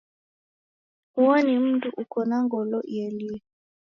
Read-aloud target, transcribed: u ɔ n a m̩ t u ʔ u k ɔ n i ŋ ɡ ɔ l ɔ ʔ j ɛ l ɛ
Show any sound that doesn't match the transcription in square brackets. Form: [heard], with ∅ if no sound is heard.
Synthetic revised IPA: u ɔ n [i] m̩ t u ʔ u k ɔ n [a] ŋ ɡ ɔ l ɔ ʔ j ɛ l [i]